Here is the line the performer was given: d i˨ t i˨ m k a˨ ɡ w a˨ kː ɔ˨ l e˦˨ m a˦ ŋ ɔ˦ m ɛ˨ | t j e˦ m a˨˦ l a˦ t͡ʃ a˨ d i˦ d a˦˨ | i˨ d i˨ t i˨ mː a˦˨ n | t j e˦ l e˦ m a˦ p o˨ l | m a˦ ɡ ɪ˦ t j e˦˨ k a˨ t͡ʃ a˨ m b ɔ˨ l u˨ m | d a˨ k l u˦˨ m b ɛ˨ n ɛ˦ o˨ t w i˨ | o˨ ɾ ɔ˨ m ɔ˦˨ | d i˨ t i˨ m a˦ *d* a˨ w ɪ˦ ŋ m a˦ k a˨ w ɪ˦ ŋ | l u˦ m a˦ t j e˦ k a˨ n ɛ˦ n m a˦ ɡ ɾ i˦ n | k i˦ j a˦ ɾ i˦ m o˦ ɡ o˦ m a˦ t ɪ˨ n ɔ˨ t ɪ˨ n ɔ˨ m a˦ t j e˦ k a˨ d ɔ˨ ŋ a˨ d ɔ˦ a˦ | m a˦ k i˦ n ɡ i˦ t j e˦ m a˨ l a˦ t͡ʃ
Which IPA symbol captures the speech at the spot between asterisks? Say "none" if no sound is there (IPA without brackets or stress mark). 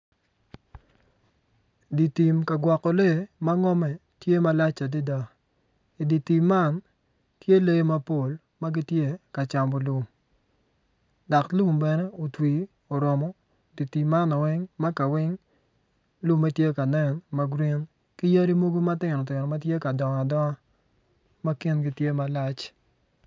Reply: n